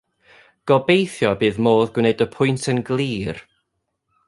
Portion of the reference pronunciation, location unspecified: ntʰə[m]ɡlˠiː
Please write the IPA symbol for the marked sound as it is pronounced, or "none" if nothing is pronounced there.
n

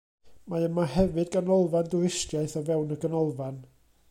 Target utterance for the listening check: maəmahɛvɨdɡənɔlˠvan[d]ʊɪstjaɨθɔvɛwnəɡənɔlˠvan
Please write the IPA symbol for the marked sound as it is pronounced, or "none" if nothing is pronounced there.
d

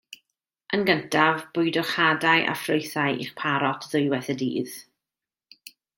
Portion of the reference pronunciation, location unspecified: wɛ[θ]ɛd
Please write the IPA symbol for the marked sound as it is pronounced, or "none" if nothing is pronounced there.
θ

